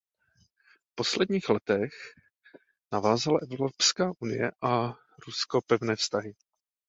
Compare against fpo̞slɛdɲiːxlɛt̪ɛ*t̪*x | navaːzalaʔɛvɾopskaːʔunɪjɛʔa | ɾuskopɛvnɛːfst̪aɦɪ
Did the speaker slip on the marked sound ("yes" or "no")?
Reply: yes